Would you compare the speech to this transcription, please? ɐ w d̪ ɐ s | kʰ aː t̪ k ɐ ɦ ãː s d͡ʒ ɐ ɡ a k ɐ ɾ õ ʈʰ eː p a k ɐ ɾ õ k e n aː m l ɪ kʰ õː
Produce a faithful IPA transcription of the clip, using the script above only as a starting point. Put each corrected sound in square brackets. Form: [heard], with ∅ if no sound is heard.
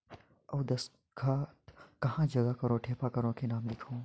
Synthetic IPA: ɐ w d̪ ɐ s | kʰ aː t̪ k ɐ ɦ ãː [∅] d͡ʒ ɐ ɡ a k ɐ ɾ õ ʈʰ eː p a k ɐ ɾ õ k e n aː m l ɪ kʰ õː

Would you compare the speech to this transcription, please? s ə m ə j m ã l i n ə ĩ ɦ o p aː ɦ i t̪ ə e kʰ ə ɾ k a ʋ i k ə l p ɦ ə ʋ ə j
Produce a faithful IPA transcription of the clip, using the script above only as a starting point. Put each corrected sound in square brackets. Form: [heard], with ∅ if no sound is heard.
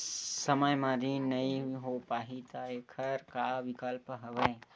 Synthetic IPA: s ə m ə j m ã [ɾ] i n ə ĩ ɦ o p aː ɦ i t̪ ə e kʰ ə ɾ k a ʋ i k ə l p ɦ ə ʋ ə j

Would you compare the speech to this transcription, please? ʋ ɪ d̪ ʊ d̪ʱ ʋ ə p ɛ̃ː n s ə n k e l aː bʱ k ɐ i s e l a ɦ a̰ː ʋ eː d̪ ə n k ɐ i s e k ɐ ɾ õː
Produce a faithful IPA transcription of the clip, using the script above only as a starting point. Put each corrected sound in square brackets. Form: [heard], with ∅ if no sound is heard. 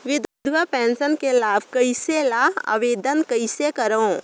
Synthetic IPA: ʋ ɪ d̪ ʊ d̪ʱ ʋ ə p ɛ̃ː n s ə n k e l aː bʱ k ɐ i s e l a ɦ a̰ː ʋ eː d̪ ə n k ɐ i s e k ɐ ɾ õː

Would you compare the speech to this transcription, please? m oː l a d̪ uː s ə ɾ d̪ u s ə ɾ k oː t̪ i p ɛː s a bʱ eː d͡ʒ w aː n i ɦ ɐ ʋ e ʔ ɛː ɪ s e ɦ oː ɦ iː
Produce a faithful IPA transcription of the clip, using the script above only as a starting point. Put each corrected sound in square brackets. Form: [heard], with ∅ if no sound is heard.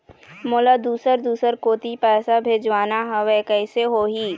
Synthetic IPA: m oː l a d̪ uː s ə ɾ d̪ [uː] s ə ɾ k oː t̪ i p ɛː s a bʱ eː d͡ʒ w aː n [a] ɦ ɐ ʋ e [k] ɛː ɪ s e ɦ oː ɦ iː

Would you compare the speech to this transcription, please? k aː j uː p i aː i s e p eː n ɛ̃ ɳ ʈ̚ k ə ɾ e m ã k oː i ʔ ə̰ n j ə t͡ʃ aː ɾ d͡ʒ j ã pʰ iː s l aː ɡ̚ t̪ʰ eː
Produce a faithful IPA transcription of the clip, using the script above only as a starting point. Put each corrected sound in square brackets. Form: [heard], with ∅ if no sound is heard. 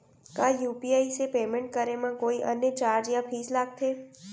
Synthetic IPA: k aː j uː p i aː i s e p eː [m] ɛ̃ ɳ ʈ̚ k ə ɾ e m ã k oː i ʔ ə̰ n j ə t͡ʃ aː ɾ d͡ʒ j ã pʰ iː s l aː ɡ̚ t̪ʰ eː

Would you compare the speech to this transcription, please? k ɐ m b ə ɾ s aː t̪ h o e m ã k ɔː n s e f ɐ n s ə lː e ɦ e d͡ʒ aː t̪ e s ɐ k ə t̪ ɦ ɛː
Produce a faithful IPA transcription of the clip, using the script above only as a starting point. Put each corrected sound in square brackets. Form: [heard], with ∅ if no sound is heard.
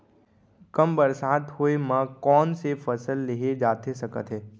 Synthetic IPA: k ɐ m b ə ɾ s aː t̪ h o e m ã k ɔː n s e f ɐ [∅] s ə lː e ɦ e d͡ʒ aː t̪ e s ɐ k ə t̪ ɦ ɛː

